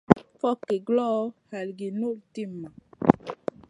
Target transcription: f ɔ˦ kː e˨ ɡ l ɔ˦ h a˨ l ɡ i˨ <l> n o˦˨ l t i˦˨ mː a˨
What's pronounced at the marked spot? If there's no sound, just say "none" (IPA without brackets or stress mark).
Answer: none